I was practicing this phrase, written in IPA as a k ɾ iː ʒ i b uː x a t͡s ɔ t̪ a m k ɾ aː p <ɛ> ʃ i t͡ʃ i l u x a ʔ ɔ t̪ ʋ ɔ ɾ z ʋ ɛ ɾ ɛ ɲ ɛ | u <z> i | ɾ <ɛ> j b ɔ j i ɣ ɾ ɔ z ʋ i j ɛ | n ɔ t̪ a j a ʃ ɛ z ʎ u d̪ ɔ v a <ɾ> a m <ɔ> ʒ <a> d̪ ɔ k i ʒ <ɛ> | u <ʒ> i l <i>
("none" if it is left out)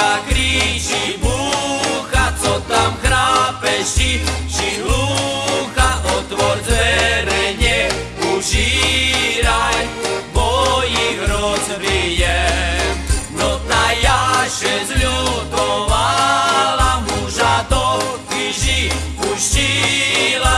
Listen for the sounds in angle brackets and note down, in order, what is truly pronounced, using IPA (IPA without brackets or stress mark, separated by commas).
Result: ɛ, ʒ, a, l, u, a, i, ʃ, a